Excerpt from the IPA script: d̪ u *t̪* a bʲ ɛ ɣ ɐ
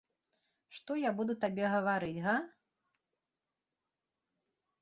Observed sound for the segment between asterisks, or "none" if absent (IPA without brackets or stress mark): t̪